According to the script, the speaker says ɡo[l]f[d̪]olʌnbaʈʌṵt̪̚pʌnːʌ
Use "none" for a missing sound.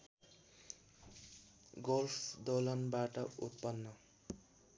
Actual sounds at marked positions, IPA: l, d̪

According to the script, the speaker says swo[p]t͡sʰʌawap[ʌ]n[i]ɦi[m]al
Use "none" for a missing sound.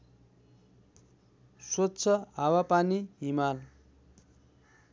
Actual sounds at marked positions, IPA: t, a, i, m

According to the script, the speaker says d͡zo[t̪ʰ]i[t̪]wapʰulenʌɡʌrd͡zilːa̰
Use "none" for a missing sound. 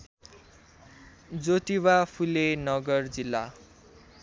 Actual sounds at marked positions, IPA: t̪, none

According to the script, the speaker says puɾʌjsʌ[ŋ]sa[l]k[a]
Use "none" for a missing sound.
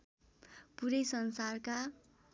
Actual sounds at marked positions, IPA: n, r, a

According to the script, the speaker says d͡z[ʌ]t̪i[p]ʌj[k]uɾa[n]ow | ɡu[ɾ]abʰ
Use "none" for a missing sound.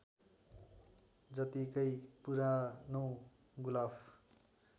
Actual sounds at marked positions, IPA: ʌ, k, p, n, l

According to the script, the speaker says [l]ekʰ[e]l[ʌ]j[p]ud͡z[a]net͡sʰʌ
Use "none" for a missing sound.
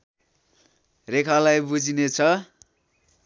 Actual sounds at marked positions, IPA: r, a, a, b, i

